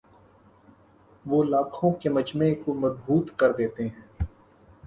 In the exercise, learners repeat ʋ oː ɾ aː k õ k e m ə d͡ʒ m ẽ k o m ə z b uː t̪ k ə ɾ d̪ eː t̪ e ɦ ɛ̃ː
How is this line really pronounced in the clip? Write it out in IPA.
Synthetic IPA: ʋ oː l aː kʰ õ k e m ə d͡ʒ m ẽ k o m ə z b uː t̪ k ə ɾ d̪ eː t̪ e ɦ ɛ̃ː